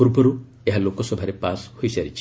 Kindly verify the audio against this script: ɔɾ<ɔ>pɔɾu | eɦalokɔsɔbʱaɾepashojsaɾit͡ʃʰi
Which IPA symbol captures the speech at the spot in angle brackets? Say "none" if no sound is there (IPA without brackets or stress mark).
u